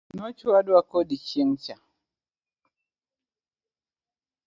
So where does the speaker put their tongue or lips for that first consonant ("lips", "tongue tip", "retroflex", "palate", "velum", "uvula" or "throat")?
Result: tongue tip